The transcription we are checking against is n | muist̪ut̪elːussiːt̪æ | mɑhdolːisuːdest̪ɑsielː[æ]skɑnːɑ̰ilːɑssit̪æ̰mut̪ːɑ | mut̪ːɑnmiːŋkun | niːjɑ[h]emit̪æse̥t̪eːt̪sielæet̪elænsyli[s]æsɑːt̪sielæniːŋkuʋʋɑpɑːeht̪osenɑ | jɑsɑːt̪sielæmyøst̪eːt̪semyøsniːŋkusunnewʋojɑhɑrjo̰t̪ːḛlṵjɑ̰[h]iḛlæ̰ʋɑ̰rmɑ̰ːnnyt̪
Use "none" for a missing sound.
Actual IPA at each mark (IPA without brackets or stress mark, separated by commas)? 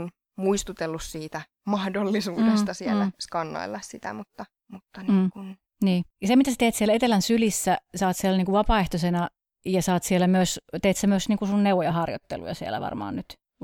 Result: æ, s, sː, s